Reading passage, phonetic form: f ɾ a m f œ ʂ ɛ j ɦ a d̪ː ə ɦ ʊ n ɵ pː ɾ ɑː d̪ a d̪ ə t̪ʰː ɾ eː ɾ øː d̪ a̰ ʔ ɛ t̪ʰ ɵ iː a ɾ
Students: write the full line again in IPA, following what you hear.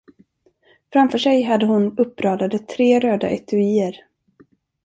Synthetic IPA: f ɾ a m f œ ʂ ɛ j ɦ a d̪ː ə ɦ ʊ n ɵ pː ɾ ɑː d̪ a d̪ ə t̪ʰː ɾ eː ɾ øː d̪ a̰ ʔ ɛ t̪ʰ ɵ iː ə ɾ